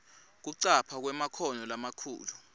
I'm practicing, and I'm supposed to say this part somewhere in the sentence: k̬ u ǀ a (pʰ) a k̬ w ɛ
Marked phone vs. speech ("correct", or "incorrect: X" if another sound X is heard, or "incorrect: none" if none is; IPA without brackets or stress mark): correct